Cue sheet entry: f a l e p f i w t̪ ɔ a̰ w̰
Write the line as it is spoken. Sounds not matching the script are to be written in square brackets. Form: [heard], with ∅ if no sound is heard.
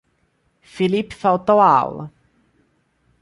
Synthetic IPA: f [i] l [i] p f [a] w t̪ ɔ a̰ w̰